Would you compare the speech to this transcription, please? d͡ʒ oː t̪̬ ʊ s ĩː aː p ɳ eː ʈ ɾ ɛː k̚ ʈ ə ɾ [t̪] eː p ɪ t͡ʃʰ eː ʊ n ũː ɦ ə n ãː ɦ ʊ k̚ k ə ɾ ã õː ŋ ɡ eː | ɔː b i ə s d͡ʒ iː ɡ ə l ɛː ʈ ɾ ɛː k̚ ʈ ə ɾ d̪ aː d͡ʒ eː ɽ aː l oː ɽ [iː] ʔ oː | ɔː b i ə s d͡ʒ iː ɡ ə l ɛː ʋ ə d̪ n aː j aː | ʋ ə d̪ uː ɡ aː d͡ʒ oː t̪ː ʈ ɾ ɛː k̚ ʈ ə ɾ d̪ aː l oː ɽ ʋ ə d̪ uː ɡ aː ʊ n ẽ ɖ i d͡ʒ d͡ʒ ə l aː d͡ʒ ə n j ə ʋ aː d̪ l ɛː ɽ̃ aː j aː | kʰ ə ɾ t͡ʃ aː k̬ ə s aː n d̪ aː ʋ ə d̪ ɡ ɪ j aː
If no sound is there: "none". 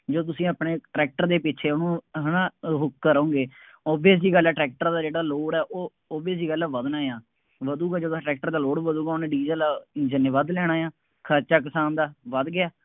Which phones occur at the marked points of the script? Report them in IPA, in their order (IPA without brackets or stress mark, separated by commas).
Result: d̪, ɛː